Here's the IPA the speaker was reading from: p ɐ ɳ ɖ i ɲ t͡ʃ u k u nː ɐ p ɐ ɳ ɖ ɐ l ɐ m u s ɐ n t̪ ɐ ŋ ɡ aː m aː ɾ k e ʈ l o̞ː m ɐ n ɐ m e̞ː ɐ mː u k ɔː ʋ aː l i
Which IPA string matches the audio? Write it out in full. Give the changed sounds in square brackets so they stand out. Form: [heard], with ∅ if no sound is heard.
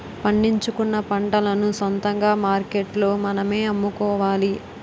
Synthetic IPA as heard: p ɐ ɳ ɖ i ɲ t͡ʃ u k u nː ɐ p ɐ ɳ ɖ ɐ l ɐ [n] u s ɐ n t̪ ɐ ŋ ɡ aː m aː ɾ k e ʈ l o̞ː m ɐ n ɐ m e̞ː ɐ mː u k ɔː ʋ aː l i